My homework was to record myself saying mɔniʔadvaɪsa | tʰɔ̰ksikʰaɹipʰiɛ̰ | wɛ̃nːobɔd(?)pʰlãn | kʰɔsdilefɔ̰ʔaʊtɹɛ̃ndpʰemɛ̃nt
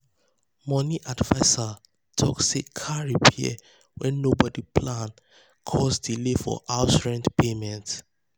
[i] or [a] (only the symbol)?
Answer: i